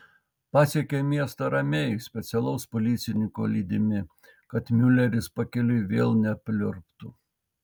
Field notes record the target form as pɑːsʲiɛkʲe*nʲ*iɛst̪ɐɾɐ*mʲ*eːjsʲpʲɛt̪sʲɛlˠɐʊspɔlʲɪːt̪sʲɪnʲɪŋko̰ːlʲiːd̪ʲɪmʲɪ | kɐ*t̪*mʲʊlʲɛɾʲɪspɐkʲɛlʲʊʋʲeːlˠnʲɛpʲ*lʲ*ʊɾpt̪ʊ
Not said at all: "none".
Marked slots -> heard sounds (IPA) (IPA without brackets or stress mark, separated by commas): mʲ, mʲ, t̪, lʲ